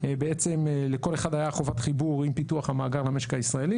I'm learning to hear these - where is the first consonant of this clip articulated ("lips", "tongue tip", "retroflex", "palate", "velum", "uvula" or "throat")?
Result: lips